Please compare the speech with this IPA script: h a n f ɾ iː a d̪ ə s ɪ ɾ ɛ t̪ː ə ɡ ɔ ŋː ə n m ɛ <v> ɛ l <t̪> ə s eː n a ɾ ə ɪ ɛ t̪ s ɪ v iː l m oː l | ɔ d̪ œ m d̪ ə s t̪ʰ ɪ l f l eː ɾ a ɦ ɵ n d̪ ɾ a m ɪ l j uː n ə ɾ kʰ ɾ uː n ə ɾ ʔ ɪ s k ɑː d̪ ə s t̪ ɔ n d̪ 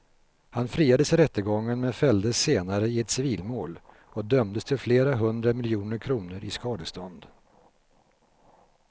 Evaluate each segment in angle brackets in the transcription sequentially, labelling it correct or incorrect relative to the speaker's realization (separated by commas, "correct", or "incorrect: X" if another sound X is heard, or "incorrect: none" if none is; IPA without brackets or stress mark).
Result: incorrect: f, incorrect: d̪